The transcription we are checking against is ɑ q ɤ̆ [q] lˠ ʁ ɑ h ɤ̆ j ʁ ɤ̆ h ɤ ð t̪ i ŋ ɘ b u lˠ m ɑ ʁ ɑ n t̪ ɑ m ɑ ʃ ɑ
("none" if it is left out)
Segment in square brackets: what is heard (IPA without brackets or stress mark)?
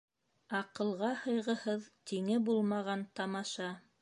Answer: none